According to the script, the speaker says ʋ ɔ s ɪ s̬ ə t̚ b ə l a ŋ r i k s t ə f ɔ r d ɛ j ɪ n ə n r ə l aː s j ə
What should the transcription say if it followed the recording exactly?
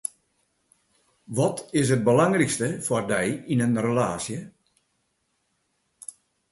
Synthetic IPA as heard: ʋ ɔ t ɪ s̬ ə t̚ b ə l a ŋ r i k s t ə f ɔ r d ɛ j i n ə n r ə l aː s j ə